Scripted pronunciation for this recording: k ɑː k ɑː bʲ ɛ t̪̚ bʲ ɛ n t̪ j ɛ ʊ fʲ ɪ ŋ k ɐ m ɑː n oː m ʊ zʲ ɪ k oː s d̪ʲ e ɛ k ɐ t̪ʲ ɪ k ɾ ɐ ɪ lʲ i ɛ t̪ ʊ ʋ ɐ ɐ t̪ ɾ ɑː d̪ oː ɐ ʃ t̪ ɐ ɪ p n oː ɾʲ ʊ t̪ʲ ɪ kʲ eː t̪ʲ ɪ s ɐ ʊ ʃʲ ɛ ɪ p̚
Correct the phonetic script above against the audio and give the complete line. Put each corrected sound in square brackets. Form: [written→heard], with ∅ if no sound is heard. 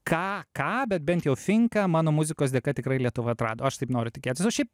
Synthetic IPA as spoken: k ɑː k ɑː bʲ ɛ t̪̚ bʲ ɛ n t̪ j ɛ ʊ fʲ ɪ ŋ k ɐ m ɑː n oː m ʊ zʲ ɪ k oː s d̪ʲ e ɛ k ɐ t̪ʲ ɪ k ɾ ɐ ɪ lʲ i ɛ t̪ ʊ ʋ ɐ ɐ t̪ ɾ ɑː d̪ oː ɐ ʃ t̪ ɐ ɪ p n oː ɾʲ ʊ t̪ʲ ɪ kʲ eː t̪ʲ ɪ s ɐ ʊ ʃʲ ɛ ɪ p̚